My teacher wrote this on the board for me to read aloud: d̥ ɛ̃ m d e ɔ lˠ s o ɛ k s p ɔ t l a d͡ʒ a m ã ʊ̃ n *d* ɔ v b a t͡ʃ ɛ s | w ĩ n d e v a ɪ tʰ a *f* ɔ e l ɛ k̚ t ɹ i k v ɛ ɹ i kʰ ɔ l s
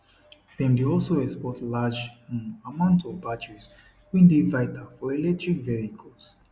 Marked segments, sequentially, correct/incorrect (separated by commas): incorrect, correct